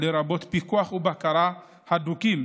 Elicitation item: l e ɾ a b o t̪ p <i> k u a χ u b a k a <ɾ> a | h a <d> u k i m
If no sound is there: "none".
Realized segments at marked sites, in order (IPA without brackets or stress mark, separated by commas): i, ɾ, d